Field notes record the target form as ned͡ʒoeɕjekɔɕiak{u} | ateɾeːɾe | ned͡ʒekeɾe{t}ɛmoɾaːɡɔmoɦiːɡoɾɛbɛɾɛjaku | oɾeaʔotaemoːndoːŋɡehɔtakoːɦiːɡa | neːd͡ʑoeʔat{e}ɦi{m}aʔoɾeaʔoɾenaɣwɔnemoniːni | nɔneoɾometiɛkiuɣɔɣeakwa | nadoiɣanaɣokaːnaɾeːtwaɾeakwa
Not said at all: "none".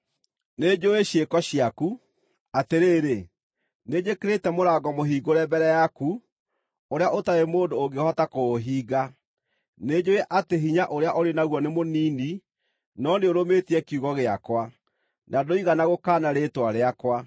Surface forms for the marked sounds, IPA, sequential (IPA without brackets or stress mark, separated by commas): u, t, e, ɲ